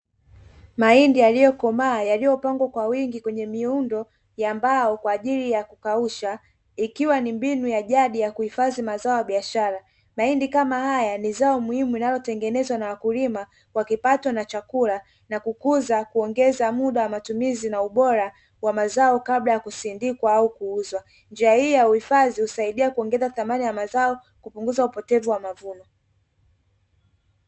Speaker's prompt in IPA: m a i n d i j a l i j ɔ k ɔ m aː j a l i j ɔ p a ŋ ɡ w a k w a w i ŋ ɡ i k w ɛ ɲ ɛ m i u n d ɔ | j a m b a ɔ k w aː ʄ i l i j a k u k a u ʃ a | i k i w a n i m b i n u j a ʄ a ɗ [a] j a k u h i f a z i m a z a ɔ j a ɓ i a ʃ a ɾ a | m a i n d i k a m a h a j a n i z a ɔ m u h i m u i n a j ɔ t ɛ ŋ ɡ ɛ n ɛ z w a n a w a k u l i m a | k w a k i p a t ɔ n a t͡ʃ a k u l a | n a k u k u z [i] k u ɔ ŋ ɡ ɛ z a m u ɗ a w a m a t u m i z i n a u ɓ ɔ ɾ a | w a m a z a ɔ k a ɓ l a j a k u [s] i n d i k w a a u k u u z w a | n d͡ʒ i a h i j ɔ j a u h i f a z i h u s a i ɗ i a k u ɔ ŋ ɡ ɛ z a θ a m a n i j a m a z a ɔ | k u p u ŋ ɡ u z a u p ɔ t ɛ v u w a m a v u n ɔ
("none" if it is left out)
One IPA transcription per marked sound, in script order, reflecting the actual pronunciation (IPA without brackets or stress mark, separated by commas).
i, a, s